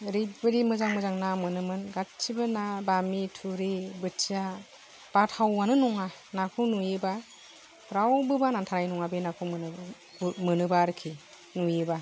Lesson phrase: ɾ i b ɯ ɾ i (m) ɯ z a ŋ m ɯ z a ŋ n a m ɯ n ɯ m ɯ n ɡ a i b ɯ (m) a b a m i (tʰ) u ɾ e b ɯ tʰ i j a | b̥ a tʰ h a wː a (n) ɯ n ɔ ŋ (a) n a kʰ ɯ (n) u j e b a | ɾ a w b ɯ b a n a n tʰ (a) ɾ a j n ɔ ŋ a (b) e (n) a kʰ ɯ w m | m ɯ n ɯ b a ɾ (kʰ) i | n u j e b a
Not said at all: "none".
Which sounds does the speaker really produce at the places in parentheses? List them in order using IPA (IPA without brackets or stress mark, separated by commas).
m, n, tʰ, n, a, n, a, b, n, kʰ